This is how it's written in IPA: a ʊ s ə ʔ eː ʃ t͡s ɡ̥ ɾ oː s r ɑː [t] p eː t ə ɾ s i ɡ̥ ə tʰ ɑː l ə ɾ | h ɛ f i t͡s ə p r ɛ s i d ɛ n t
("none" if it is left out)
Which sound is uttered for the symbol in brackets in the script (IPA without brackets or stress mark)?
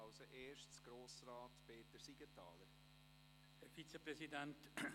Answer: t